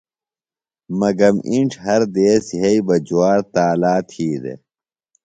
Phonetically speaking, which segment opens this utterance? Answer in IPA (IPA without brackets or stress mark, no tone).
m